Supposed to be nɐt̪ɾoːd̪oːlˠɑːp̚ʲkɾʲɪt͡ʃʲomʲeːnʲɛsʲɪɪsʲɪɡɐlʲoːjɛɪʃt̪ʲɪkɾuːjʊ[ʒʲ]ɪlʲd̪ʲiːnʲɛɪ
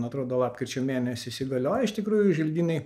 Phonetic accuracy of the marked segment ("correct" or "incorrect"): correct